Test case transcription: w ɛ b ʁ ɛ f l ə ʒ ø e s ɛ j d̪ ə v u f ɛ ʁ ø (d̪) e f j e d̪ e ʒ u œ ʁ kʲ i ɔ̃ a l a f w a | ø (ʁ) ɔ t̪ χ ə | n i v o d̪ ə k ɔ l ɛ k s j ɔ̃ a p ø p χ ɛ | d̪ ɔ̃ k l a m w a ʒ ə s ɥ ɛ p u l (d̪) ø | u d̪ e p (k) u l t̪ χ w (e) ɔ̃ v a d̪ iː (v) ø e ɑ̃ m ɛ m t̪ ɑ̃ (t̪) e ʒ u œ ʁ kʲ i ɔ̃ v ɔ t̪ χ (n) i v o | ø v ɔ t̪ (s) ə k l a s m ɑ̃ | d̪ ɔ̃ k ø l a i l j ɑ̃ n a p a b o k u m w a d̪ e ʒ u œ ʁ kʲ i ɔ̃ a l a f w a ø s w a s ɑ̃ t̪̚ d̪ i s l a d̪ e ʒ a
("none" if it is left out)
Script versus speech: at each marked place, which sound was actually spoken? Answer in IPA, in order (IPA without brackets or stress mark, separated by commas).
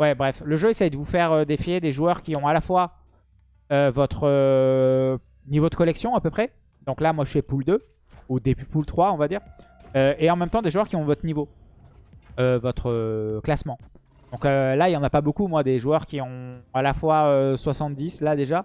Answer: d̪, v, d̪, p, a, ʁ, d̪, n, χ